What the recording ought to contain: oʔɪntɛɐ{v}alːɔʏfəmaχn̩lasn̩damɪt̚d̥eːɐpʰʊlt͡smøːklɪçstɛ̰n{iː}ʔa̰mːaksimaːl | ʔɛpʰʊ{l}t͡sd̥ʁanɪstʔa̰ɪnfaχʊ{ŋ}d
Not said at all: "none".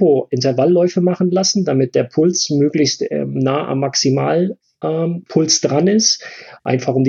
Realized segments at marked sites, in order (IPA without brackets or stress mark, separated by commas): v, aː, l, m